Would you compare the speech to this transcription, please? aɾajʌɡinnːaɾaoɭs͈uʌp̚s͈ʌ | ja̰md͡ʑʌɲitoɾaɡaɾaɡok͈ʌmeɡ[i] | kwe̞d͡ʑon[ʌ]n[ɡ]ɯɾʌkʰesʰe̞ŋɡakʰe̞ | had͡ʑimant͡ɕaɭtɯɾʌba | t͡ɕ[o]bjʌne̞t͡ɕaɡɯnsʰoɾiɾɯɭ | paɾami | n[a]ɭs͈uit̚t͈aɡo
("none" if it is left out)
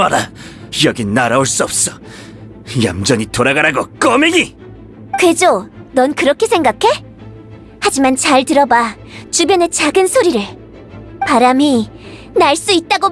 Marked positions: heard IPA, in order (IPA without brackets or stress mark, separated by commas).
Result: i, ʌ, k, u, a